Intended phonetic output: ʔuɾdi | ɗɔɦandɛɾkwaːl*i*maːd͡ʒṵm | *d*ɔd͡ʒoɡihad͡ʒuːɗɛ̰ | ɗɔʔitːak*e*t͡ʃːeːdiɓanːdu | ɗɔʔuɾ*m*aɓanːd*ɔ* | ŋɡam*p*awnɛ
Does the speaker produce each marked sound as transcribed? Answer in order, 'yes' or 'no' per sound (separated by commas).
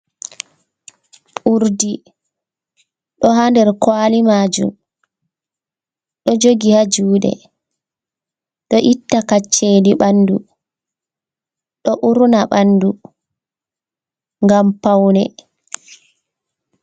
yes, no, no, no, no, yes